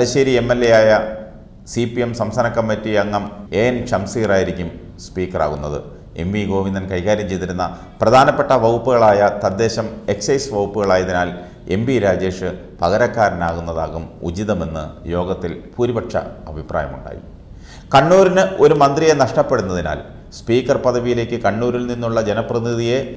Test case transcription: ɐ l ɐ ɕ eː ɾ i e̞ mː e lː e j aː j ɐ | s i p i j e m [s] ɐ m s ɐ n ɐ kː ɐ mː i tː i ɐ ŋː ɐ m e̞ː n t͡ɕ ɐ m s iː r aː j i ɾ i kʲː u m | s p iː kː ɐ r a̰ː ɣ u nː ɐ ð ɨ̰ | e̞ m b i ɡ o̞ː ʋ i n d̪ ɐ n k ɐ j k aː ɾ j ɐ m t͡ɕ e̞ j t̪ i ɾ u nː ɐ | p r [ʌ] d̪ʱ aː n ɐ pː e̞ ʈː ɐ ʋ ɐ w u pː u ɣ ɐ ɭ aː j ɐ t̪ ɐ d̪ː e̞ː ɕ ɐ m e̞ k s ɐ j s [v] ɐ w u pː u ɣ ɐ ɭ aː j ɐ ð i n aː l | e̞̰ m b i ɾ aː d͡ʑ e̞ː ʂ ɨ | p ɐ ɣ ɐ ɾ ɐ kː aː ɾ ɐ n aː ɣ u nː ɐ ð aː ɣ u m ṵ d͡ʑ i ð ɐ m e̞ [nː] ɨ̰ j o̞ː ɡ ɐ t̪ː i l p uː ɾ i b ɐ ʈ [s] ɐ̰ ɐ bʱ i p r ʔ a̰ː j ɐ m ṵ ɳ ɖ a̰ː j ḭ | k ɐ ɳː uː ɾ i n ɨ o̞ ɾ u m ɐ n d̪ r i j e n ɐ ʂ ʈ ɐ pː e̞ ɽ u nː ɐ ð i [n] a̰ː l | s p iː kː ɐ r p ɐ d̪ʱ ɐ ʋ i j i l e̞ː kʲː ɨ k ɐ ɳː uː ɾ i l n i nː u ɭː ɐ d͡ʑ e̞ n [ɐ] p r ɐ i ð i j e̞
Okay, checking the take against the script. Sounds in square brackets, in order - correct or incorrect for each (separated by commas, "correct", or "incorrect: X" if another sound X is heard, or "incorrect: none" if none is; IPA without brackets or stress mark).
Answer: correct, incorrect: ɐ, incorrect: ʋ, correct, incorrect: ʂ, correct, correct